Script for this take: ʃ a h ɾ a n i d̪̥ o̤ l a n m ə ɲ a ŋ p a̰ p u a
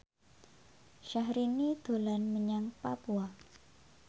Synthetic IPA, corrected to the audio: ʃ a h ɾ i n i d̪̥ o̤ l a n m ə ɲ a ŋ p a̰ p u a